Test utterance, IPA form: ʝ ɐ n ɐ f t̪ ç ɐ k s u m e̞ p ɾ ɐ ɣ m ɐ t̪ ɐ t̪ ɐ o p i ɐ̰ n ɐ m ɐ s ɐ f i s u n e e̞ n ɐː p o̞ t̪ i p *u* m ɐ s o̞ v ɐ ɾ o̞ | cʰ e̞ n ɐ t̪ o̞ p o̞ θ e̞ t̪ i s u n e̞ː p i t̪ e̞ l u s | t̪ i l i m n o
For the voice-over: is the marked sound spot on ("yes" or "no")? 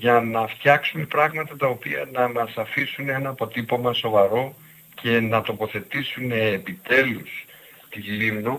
no